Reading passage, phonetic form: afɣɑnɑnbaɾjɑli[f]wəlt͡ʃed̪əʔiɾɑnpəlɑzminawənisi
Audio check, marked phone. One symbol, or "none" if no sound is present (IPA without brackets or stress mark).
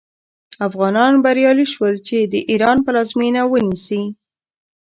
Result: ʃ